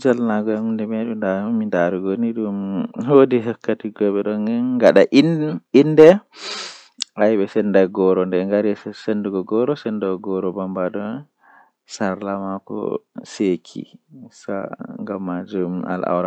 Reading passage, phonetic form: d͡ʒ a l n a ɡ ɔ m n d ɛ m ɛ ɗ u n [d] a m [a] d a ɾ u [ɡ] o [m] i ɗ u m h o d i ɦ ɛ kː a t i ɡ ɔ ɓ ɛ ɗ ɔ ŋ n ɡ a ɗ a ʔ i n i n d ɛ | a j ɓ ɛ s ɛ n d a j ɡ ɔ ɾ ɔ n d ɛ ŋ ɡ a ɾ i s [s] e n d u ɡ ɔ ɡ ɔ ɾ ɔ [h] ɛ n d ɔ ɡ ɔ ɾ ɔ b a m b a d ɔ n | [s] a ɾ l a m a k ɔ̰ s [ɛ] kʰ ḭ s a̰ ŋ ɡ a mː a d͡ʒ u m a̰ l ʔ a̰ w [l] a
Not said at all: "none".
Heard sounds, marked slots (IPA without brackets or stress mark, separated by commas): d, i, ɡ, n, s, s, s, e, ɾ